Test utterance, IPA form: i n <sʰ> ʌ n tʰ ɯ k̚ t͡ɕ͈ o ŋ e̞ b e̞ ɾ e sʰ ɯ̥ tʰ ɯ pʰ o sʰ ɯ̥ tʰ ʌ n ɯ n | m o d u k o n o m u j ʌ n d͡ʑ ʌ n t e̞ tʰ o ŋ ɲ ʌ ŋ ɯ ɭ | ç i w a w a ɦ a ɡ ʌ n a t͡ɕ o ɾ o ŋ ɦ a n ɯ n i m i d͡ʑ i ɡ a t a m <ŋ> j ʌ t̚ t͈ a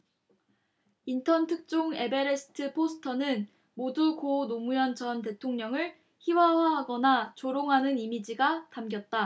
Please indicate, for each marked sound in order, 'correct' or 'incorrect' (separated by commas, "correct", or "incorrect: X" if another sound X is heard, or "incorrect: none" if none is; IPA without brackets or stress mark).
incorrect: tʰ, incorrect: ɡ